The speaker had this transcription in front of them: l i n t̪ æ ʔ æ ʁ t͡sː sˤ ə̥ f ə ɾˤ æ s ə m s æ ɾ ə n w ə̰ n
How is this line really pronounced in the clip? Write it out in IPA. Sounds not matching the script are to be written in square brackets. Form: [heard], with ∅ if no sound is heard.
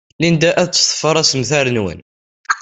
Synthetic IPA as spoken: l i n [d̪] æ ʔ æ [ð] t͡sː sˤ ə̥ f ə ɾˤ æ s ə m [θ] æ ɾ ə n w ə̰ n